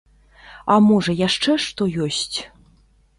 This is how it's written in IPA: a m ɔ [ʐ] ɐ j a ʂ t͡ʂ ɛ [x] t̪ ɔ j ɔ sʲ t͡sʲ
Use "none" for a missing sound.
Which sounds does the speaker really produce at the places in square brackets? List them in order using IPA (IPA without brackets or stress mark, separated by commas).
ʐ, ʂ